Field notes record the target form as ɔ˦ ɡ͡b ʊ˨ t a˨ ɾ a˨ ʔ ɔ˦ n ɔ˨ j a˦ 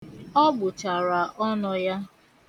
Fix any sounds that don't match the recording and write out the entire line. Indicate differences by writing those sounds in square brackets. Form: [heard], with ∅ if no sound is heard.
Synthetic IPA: ɔ˦ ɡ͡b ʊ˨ [t͡ʃ] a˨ ɾ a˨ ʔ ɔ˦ n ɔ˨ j a˦